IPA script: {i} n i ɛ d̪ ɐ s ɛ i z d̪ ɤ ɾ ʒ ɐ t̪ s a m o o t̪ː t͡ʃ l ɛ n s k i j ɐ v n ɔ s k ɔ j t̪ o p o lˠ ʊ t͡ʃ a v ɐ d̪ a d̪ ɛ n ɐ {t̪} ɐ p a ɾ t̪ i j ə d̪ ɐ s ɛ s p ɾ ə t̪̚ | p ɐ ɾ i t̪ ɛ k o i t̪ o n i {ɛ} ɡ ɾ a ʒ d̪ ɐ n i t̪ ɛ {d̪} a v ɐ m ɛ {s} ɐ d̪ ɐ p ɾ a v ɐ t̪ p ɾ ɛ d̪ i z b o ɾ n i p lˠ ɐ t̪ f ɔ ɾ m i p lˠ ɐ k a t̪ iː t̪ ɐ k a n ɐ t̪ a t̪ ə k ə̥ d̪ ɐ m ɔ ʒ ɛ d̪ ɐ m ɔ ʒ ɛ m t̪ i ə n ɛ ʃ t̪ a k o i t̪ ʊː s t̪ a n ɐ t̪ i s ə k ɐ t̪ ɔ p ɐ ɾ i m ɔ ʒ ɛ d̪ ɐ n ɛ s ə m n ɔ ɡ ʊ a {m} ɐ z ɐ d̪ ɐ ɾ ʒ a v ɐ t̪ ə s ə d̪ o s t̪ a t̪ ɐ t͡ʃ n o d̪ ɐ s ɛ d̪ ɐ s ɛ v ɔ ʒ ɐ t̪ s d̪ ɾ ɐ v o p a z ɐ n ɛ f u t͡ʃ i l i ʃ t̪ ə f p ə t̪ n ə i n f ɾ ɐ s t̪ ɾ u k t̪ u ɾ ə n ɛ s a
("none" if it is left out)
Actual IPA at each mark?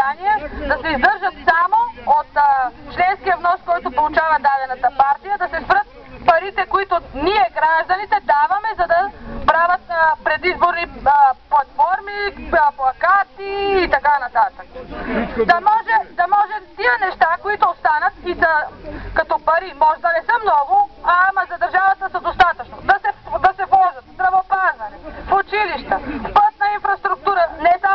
a, t̪, ɛ, d̪, z, m

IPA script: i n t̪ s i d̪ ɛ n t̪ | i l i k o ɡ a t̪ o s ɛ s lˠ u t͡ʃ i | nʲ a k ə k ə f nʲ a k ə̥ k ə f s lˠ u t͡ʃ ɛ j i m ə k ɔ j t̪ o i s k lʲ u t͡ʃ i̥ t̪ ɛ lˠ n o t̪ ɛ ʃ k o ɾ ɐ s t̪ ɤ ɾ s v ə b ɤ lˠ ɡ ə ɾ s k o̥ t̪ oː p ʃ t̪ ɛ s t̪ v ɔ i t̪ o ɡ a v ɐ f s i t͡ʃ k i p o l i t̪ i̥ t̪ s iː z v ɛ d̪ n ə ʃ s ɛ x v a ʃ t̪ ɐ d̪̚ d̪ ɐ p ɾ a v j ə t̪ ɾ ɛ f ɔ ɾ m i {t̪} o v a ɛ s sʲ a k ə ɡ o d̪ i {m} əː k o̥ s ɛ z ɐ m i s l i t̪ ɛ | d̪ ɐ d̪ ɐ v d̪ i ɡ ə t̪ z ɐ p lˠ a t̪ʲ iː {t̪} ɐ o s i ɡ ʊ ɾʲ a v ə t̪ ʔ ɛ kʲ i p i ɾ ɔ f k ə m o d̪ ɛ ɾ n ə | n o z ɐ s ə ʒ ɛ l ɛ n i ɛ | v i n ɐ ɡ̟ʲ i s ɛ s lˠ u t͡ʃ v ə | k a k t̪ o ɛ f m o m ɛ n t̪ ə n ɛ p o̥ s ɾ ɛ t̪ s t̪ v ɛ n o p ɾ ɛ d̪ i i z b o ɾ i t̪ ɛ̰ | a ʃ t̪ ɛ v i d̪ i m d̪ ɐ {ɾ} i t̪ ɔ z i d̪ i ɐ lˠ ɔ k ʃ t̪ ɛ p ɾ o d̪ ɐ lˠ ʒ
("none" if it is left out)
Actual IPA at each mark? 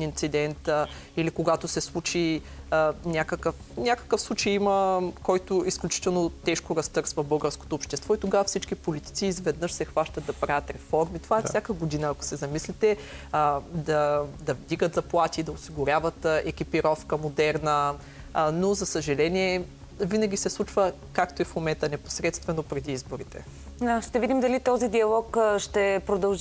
t̪, n, d̪, l

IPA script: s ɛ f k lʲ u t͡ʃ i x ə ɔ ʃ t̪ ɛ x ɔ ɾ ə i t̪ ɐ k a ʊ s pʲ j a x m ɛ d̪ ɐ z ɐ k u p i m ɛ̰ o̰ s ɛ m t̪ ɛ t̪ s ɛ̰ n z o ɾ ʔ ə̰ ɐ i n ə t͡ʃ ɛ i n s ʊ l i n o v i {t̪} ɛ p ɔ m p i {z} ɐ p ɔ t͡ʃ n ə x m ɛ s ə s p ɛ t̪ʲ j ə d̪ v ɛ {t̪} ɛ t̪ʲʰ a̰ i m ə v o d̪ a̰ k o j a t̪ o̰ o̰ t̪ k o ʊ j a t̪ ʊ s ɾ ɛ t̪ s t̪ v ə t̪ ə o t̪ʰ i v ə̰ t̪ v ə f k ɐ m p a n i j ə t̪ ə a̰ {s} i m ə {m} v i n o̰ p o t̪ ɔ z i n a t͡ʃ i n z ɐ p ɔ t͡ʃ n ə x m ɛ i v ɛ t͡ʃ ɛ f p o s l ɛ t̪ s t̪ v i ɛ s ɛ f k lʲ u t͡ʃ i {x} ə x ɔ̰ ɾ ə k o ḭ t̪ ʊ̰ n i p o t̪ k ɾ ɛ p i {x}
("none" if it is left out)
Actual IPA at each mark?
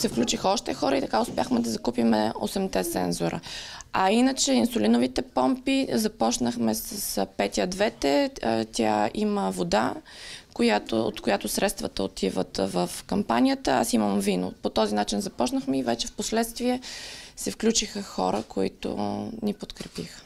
t̪, z, t̪, s, m, x, x

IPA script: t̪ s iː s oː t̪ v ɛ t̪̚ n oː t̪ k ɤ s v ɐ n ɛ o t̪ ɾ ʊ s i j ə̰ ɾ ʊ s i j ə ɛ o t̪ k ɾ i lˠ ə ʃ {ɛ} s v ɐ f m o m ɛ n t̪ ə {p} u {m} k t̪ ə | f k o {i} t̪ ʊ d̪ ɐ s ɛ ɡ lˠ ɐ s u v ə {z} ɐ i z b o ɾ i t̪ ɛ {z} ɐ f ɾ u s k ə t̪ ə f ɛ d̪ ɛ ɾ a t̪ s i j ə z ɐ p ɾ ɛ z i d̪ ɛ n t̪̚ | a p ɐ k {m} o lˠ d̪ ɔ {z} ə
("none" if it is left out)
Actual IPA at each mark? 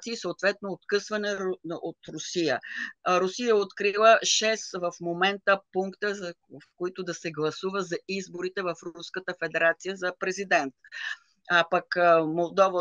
ɛ, p, ŋ, i, z, v, m, v

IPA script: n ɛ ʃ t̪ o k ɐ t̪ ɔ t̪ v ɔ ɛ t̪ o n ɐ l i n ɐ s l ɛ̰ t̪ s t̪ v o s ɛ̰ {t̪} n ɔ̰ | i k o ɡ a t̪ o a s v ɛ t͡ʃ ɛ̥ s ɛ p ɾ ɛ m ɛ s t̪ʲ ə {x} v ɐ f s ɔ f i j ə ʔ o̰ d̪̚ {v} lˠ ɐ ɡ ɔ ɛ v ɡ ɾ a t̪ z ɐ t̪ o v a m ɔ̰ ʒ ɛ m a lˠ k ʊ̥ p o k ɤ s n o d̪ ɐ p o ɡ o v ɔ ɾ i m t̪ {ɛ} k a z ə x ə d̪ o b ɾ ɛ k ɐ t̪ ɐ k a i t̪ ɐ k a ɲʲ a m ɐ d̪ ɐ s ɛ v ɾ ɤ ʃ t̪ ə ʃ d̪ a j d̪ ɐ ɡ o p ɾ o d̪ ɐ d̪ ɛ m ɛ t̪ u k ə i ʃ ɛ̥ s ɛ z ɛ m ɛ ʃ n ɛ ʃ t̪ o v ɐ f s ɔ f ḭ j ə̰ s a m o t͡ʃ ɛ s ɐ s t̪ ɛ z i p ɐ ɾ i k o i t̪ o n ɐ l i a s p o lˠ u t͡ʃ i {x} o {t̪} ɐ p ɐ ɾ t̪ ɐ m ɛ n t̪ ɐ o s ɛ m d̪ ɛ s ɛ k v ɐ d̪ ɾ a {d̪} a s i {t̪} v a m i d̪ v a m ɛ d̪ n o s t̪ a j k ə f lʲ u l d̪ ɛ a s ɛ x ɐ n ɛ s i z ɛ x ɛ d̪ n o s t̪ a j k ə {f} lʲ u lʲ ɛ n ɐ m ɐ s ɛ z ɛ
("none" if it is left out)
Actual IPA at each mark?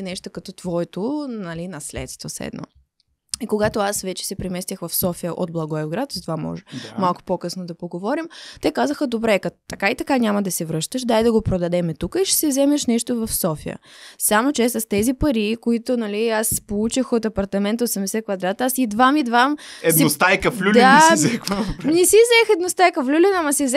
d̪, x, b, ɛ, x, t̪, t̪, d̪, f

